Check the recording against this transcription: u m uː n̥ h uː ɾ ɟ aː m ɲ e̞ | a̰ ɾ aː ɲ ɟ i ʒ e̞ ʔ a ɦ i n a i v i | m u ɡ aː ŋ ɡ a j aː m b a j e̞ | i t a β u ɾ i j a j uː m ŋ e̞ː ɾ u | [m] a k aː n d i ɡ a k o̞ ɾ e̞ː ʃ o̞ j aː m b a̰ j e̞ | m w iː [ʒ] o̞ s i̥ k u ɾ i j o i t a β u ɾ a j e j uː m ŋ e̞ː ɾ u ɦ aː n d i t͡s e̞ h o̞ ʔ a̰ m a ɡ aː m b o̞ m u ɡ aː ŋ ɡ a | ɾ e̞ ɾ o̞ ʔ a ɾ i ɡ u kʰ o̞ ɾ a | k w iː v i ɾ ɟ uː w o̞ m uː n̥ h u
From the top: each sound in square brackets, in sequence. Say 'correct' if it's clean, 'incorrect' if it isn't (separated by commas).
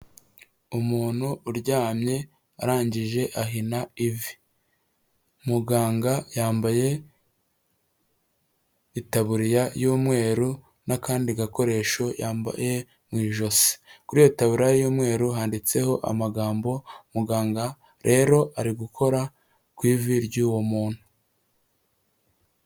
incorrect, correct